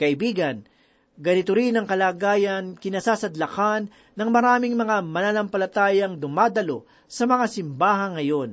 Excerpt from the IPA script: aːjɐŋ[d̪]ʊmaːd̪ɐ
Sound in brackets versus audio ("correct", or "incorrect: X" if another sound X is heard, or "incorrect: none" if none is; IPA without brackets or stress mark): correct